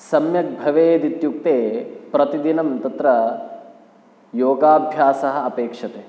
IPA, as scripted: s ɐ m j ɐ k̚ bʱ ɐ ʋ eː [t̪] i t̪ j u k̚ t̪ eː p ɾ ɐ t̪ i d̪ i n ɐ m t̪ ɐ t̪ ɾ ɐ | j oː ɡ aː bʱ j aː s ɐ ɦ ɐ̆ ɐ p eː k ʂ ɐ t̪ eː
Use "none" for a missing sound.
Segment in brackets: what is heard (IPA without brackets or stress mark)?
d̪